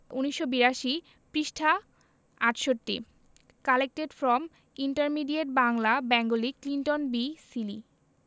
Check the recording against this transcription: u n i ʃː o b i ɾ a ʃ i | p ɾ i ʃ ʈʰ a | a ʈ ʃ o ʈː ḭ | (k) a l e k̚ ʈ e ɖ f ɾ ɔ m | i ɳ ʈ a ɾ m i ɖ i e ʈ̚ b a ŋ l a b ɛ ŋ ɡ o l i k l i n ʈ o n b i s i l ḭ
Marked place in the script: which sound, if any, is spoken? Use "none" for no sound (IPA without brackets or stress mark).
k